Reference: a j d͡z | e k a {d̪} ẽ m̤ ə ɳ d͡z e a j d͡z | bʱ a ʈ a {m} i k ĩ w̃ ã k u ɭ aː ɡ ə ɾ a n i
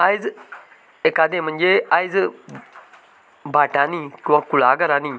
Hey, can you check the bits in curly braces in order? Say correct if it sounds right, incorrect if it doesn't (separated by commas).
correct, incorrect